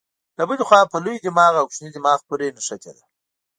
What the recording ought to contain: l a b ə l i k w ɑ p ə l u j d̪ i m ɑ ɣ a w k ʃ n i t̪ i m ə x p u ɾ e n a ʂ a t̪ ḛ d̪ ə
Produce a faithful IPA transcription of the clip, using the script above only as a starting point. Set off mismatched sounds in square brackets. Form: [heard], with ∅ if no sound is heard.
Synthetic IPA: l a b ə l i [x] w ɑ p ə l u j d̪ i m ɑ ɣ a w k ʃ n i [d̪] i m [ɑ] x p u ɾ e n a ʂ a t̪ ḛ d̪ [a]

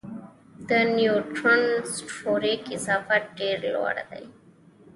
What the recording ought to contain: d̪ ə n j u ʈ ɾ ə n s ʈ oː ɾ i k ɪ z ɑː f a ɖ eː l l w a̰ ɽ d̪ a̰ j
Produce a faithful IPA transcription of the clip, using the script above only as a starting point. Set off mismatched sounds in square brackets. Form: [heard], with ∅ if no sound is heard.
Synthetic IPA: d̪ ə n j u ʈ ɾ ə n s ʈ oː ɾ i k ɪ z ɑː f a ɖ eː [ɾ] l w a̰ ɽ d̪ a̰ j

